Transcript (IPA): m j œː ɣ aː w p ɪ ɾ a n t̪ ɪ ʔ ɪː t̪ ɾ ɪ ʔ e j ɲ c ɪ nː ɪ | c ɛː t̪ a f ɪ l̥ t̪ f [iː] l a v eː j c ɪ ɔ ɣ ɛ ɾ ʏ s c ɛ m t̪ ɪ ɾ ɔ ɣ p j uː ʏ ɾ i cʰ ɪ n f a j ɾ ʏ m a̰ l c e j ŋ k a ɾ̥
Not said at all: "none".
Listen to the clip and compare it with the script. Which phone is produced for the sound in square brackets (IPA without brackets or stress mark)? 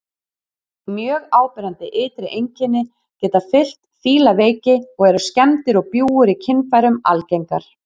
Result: iː